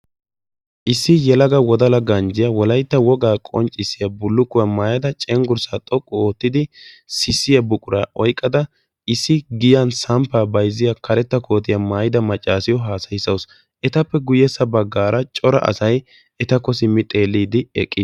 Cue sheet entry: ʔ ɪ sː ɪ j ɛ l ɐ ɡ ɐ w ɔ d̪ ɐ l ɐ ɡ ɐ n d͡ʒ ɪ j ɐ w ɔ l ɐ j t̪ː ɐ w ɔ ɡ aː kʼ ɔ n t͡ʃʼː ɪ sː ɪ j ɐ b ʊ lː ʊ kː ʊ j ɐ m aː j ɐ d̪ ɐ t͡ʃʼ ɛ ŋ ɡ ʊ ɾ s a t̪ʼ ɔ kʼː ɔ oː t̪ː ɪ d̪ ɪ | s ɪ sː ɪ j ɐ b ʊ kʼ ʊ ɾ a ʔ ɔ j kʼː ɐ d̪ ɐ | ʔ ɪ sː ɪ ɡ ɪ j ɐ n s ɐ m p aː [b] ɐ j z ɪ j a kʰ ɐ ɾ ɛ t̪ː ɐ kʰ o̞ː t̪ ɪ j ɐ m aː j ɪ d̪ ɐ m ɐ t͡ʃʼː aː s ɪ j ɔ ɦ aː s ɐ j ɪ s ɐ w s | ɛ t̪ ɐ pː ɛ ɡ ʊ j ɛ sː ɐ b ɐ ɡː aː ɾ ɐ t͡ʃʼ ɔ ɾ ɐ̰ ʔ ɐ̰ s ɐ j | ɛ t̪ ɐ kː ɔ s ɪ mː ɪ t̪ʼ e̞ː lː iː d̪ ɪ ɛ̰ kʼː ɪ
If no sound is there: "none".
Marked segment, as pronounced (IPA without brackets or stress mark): b